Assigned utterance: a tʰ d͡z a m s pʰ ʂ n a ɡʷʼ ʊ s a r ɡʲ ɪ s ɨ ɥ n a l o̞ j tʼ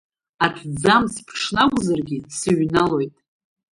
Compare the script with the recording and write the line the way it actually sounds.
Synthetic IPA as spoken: a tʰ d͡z a m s pʰ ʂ n a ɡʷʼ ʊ z a r ɡʲ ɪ s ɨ ɥ n a l o̞ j tʼ